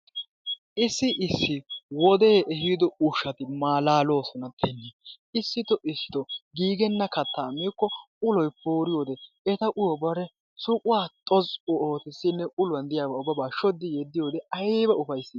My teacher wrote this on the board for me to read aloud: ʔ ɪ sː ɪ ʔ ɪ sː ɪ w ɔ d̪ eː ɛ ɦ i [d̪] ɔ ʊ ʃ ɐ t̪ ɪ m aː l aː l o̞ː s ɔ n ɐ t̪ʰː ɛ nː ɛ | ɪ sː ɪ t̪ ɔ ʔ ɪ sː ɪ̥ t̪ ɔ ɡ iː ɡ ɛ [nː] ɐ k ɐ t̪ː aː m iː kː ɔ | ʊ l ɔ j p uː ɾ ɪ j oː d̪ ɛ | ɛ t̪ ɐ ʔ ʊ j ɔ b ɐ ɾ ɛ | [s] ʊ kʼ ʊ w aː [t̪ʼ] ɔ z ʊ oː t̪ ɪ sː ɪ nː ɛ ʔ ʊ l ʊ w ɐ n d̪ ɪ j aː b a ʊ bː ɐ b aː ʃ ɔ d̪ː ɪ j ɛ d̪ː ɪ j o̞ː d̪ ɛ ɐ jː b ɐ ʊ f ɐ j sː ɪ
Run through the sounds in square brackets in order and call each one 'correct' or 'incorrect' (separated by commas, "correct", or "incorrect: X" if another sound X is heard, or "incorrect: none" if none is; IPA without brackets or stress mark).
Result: correct, correct, correct, correct